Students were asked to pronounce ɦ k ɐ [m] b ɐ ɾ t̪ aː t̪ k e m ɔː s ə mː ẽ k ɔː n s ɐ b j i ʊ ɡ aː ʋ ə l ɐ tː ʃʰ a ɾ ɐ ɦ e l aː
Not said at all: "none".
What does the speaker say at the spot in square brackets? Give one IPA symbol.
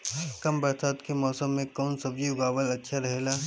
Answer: m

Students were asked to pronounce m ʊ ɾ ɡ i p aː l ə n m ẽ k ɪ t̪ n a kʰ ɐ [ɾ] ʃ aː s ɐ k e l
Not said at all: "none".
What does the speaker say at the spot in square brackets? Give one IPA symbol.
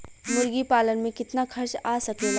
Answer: ɾ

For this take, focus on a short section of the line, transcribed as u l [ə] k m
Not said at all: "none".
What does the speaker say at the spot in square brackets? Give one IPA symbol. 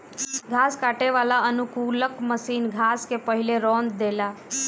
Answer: ə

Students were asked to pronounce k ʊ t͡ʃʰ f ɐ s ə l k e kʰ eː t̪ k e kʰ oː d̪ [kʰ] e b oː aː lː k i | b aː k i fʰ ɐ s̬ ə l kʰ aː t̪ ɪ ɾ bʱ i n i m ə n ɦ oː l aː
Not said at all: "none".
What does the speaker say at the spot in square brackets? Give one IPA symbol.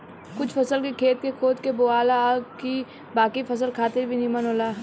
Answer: k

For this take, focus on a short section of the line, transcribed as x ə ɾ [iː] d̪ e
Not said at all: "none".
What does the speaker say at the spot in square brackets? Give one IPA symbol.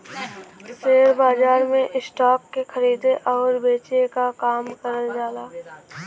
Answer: iː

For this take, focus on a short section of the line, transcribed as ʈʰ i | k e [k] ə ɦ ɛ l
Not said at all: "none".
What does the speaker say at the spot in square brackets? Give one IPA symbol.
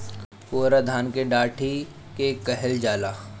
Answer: k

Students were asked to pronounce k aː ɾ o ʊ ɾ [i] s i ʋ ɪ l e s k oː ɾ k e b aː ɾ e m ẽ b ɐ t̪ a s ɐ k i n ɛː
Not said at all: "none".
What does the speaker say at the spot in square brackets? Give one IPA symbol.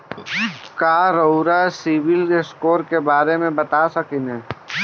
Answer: a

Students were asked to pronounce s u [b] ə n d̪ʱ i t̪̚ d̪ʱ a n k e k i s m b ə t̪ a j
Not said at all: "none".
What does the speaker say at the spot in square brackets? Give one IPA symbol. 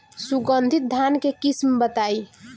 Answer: ɡ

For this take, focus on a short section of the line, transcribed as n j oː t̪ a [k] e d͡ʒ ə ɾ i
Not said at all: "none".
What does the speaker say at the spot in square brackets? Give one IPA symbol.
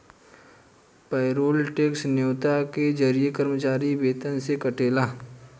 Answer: k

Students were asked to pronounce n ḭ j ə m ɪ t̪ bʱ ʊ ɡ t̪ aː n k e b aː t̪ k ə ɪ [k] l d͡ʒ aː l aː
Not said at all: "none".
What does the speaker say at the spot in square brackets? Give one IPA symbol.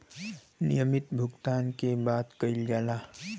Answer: none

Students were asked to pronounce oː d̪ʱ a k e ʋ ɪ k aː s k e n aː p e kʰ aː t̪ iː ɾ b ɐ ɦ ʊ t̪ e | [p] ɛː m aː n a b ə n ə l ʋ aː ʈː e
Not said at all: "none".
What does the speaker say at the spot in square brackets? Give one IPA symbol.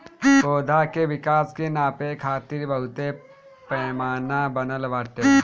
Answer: p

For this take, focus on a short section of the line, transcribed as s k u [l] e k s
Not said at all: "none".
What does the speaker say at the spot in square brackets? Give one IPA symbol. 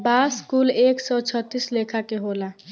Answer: l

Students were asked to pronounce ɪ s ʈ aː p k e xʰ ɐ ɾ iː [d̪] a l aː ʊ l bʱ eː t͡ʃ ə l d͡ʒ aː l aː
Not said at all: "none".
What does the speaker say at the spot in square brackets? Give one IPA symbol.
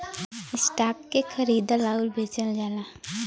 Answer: d̪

